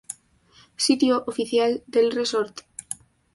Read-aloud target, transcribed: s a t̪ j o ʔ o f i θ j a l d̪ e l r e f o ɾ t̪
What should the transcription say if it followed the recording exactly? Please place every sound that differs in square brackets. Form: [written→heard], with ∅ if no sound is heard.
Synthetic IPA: s [a→i] t̪ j o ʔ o f i θ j a l d̪ e l r e [f→s] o ɾ t̪